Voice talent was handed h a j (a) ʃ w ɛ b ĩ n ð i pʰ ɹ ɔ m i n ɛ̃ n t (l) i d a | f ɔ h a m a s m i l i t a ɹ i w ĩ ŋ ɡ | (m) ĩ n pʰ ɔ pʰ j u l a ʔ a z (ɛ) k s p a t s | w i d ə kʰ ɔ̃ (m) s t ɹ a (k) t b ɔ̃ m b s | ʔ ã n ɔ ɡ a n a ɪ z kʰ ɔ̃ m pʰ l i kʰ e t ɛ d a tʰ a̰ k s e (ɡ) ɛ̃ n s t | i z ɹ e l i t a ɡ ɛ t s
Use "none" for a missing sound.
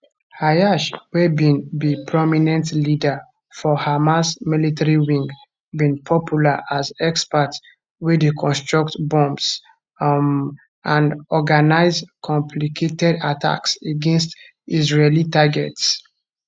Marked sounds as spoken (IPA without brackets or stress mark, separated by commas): a, l, b, ɛ, n, k, ɡ